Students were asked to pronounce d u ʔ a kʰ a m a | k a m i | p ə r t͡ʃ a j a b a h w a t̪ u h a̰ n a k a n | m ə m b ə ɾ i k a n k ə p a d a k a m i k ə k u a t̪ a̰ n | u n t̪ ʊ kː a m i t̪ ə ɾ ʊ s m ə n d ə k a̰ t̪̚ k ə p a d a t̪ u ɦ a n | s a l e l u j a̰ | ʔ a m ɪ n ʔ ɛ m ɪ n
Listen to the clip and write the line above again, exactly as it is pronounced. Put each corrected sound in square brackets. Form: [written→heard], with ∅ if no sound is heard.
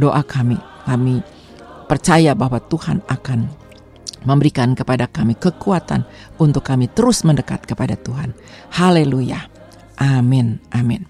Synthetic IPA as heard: d [u→o] ʔ a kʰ a m [a→i] | k a m i | p ə r t͡ʃ a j a b a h w a t̪ u h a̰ n a k a n | m ə m b ə ɾ i k a n k ə p a d a k a m i k ə k u a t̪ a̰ n | u n t̪ ʊ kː a m i t̪ ə ɾ ʊ s m ə n d ə k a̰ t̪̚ k ə p a d a t̪ u ɦ a n | [s→h] a l e l u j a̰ | ʔ a m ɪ n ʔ [ɛ→a] m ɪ n